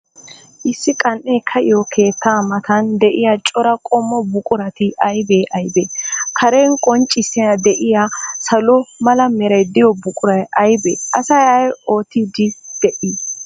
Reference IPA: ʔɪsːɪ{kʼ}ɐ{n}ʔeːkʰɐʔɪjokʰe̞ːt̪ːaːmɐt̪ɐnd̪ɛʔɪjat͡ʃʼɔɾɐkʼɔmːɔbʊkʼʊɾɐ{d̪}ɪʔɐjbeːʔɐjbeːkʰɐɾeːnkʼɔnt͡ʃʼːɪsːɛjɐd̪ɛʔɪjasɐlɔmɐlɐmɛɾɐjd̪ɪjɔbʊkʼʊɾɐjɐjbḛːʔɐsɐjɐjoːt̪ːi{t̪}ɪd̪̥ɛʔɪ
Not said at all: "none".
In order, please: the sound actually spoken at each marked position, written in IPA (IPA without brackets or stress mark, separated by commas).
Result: kʼ, n, t̪, d̪